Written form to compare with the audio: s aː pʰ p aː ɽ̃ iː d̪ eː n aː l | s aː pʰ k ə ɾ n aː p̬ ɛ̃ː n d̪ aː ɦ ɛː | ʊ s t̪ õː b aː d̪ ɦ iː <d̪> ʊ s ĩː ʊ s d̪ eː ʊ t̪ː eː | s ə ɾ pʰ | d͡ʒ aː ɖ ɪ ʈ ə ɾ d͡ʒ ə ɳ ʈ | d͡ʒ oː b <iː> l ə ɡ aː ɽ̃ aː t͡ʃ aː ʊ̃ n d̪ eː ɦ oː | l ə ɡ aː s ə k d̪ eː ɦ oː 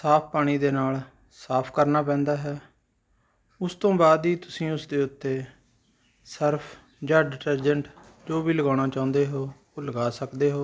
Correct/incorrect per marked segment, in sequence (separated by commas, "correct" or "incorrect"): incorrect, correct